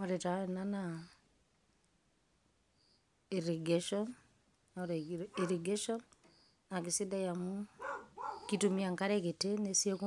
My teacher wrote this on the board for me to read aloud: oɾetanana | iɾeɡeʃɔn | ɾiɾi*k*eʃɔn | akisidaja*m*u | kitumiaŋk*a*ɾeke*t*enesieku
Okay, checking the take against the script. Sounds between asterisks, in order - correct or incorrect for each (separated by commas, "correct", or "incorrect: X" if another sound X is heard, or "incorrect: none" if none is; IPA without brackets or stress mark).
incorrect: ɡ, correct, correct, correct